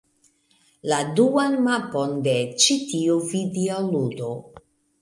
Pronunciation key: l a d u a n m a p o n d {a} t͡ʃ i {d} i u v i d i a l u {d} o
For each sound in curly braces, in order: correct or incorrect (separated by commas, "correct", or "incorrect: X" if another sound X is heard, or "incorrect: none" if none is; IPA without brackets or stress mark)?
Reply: incorrect: e, incorrect: t, correct